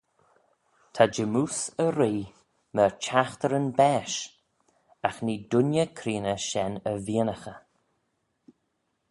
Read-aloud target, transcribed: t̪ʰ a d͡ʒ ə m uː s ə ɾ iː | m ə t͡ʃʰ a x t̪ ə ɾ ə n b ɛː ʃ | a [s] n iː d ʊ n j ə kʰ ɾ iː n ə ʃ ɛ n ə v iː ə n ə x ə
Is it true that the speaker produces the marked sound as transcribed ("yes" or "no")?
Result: no